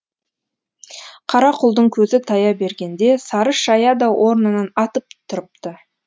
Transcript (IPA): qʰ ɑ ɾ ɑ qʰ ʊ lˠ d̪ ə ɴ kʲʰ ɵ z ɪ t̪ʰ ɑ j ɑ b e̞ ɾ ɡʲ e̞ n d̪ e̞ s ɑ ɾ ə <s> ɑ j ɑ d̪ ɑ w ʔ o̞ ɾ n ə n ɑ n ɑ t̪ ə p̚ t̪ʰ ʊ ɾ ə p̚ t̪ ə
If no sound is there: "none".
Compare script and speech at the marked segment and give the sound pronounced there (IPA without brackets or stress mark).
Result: ʃ